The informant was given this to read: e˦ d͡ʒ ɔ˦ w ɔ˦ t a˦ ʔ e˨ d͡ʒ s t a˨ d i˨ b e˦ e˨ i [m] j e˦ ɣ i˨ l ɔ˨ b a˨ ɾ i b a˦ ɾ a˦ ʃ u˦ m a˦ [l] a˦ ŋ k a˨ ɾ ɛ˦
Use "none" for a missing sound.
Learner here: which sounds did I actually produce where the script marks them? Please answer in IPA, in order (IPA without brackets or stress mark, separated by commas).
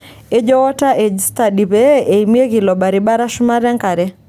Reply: m, ɾ